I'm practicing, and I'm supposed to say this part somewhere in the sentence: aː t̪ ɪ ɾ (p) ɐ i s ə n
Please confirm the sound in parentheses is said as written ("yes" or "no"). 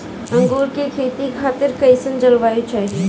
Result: no